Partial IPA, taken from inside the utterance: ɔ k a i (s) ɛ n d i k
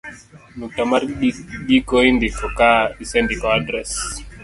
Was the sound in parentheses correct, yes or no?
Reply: yes